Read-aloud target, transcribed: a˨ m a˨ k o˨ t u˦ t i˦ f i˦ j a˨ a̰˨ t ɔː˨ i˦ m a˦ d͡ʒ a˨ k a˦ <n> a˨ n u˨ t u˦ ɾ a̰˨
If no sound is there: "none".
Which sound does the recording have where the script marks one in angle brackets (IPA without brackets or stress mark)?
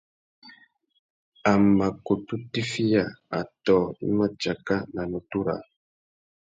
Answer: n